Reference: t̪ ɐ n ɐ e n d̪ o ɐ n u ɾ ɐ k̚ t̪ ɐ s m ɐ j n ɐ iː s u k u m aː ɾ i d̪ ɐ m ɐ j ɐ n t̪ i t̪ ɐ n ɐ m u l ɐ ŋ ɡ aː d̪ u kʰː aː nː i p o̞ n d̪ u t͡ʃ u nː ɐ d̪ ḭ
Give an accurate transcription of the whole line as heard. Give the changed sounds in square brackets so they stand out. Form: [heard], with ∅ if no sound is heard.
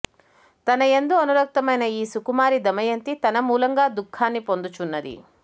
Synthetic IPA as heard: t̪ ɐ n ɐ e n d̪ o ɐ n u ɾ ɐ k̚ t̪ ɐ [∅] m ɐ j n ɐ iː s u k u m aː ɾ i d̪ ɐ m ɐ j ɐ n t̪ i t̪ ɐ n ɐ m [uː] l ɐ ŋ ɡ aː d̪ u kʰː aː nː i p o̞ n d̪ u t͡ʃ u nː ɐ d̪ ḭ